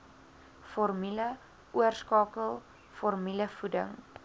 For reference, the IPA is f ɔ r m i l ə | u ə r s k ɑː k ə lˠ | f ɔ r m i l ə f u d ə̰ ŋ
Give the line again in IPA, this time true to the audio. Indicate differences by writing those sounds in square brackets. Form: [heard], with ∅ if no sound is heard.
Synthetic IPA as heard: f ɔ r m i l ə | u ə r s k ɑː k ə lˠ | f ɔ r m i l ə f u d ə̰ ŋ